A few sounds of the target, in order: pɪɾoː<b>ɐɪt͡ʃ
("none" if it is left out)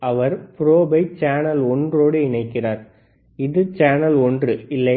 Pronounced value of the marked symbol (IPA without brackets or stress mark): b